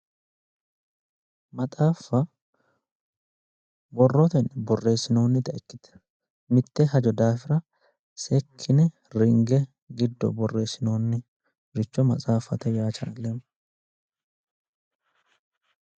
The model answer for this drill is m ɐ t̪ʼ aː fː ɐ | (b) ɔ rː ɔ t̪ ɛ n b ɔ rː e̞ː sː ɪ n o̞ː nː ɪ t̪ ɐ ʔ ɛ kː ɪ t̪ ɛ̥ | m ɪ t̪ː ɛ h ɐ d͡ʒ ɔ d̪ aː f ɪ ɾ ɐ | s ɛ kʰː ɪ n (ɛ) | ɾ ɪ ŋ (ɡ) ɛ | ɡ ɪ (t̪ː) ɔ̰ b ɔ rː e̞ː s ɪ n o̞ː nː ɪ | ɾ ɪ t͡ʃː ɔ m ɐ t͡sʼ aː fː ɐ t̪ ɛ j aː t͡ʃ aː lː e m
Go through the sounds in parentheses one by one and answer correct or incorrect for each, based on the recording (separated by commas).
correct, correct, correct, incorrect